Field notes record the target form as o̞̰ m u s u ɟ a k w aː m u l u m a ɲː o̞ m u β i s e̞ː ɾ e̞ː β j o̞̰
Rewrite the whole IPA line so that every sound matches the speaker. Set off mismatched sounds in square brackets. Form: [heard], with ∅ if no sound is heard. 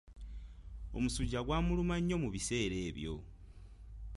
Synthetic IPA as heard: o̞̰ m u s u ɟ a [ɡ] w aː m u l u m a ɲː o̞ m u β i s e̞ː ɾ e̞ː β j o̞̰